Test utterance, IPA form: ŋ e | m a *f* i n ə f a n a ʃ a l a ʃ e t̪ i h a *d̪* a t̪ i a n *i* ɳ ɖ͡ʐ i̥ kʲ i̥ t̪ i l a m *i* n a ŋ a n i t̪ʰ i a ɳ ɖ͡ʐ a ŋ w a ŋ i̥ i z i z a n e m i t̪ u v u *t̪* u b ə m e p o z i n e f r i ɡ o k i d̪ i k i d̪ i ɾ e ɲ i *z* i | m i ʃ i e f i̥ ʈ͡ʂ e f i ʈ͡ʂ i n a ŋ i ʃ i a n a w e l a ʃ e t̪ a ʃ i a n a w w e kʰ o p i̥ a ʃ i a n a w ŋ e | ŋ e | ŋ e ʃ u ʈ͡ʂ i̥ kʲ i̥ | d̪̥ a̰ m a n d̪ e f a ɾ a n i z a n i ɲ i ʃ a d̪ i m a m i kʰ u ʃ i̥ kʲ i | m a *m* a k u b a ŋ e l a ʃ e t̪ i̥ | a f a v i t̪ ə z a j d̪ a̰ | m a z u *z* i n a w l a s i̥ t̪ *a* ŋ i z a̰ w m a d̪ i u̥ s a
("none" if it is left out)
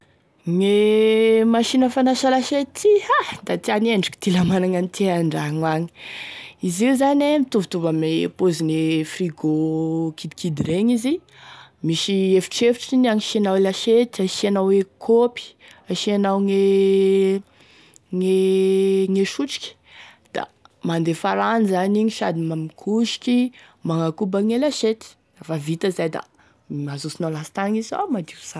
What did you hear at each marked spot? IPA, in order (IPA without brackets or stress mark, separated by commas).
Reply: ʃ, d̪, e, a, t̪, z, ŋ, s, a